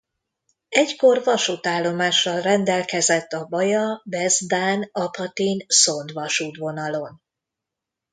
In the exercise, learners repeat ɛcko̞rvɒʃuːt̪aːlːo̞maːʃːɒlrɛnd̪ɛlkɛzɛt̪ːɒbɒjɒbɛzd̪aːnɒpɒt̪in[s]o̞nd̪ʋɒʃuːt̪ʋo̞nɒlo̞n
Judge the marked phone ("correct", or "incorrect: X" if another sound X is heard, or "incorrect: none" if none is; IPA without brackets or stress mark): correct